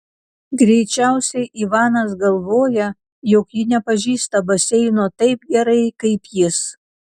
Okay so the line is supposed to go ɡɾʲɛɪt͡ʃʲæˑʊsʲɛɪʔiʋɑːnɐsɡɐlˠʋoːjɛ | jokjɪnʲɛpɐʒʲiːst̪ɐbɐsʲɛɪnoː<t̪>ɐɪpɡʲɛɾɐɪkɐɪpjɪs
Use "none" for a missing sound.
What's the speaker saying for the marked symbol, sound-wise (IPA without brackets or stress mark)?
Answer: t̪